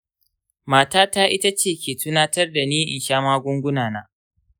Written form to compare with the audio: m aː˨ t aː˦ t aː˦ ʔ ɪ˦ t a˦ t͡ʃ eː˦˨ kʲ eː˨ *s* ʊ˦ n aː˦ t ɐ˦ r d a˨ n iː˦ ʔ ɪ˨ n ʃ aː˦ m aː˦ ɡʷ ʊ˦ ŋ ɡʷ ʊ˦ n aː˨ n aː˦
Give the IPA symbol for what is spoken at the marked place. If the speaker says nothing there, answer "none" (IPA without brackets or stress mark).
t